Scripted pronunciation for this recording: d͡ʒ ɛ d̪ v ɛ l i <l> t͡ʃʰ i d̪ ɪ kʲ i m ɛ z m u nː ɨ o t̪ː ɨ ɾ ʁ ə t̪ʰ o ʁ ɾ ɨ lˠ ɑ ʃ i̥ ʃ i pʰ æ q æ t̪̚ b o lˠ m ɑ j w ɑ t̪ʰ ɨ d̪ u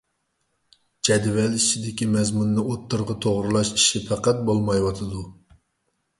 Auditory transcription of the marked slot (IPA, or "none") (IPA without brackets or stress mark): none